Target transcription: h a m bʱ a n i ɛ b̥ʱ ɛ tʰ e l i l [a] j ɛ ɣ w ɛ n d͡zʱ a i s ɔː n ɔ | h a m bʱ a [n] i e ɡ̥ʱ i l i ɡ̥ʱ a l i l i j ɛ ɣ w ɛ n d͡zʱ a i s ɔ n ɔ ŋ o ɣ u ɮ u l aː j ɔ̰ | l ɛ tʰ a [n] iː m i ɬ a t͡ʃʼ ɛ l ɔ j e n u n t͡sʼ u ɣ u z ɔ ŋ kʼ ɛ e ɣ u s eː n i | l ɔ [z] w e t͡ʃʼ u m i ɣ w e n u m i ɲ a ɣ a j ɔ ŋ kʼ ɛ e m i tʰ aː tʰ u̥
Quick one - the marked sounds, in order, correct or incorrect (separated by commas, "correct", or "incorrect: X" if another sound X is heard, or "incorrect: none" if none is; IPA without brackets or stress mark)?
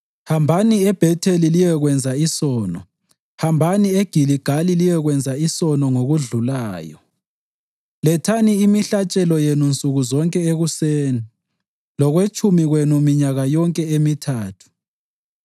incorrect: i, correct, correct, incorrect: ɣ